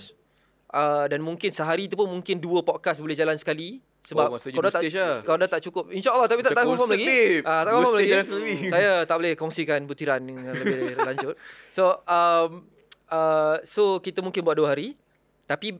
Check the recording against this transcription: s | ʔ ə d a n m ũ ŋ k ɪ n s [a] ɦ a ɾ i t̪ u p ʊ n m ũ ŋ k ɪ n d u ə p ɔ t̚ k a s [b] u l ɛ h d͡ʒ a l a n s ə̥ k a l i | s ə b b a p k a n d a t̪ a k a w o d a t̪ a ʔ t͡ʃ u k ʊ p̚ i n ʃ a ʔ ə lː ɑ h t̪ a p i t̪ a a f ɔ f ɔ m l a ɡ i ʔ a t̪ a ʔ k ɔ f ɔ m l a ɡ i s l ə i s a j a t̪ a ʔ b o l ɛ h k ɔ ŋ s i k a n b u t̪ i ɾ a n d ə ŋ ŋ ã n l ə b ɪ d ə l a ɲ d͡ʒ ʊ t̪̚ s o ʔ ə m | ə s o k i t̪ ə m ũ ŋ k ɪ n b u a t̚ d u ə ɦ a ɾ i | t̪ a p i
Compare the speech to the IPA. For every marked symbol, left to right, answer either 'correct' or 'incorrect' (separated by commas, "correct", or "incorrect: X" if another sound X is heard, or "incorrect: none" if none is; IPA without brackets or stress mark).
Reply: incorrect: ə, correct